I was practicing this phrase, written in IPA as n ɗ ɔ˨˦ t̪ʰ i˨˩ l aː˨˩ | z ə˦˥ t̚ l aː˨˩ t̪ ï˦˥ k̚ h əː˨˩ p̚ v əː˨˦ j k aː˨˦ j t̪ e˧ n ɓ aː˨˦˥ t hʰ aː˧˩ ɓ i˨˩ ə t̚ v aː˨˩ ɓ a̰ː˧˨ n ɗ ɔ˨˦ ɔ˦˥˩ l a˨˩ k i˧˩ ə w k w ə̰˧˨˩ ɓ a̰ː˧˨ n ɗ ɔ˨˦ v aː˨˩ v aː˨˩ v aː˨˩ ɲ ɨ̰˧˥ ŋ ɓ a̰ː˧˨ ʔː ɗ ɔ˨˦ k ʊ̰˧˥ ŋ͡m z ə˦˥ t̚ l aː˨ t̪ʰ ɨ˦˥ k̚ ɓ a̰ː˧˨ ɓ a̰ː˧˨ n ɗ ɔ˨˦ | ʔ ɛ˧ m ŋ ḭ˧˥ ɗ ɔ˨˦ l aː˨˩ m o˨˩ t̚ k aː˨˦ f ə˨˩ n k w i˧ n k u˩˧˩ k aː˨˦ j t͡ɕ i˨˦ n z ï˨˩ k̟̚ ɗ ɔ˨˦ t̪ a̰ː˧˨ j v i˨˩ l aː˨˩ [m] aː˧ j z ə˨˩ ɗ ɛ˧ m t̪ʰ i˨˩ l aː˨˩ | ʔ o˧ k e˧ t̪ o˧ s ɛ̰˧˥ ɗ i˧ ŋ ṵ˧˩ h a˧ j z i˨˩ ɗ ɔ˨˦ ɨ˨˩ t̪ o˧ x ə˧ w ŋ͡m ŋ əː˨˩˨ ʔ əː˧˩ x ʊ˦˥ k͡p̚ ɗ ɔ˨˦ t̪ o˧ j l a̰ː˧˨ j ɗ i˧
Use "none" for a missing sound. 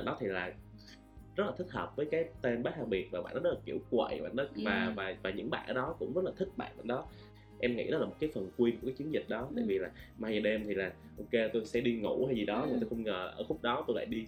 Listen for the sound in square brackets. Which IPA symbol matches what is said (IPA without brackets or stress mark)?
m